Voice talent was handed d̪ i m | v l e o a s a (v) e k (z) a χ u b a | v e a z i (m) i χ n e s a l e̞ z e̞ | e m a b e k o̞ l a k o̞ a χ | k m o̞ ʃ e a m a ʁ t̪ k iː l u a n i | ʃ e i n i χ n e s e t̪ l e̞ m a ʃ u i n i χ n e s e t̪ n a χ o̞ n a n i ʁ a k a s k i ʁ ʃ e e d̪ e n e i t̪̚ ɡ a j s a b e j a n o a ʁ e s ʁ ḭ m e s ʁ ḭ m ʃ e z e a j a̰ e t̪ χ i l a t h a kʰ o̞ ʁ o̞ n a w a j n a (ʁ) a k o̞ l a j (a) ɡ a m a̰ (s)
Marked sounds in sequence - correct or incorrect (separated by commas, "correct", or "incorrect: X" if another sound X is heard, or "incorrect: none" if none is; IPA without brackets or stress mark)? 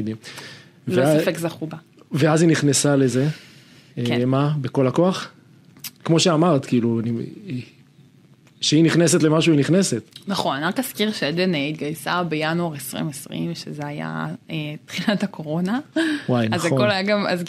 incorrect: f, correct, incorrect: n, incorrect: z, correct, incorrect: z